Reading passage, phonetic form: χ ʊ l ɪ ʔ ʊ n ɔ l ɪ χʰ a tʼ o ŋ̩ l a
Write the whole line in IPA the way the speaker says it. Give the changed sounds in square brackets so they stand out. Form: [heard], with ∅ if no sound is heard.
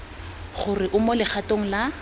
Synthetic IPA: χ ʊ [r] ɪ ʔ ʊ [m] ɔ l ɪ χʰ a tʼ o ŋ̩ l a